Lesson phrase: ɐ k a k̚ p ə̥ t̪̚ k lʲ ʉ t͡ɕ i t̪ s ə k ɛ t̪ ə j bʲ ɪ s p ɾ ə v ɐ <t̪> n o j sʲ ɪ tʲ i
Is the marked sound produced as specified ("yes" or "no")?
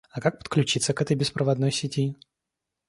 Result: no